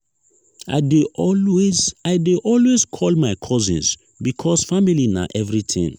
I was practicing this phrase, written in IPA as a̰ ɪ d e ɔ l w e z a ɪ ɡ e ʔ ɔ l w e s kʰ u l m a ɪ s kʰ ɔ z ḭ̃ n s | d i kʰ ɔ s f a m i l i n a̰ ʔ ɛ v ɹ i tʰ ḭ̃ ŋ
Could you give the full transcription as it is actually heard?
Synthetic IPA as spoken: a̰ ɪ d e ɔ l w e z a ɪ d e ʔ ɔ l w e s kʰ ɔ l m a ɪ kʰ ɔ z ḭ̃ n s | b i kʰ ɔ s f a m i l i n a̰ ʔ ɛ v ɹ i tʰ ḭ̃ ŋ